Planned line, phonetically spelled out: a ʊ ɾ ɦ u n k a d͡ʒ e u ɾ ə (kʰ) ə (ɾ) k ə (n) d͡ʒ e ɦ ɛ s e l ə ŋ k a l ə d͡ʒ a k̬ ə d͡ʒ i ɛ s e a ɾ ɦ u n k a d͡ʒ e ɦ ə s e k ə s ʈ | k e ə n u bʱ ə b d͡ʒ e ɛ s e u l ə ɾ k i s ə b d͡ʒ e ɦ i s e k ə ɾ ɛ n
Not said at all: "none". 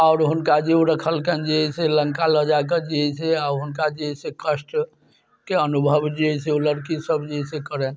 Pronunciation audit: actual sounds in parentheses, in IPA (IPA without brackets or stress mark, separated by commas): kʰ, l, n